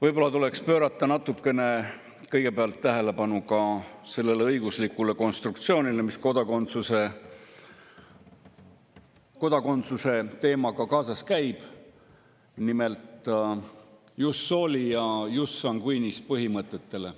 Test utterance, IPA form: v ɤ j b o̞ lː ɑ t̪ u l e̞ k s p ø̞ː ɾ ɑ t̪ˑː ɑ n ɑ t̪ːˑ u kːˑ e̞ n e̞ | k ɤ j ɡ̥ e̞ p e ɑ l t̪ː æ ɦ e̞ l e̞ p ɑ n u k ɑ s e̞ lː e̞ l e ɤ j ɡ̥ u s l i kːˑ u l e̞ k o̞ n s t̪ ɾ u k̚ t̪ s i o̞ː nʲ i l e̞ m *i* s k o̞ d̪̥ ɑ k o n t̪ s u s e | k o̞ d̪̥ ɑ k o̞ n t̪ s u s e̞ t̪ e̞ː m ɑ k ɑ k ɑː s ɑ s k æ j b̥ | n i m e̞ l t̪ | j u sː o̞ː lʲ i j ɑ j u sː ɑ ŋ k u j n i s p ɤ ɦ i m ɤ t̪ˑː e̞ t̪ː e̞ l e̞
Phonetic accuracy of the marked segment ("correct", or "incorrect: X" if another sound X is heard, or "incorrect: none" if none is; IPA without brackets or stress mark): correct